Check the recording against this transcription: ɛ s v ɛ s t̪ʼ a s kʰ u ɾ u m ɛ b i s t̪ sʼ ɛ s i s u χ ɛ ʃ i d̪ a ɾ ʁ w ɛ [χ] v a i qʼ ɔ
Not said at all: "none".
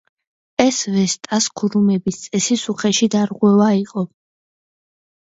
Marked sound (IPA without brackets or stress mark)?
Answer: none